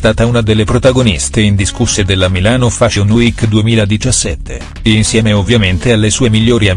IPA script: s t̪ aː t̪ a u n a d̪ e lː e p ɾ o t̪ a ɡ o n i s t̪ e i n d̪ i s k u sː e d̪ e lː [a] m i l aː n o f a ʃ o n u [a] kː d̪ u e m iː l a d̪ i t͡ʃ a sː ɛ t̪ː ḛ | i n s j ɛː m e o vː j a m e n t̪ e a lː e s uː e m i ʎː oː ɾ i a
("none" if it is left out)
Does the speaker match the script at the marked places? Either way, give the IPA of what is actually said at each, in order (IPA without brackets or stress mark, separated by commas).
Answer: a, i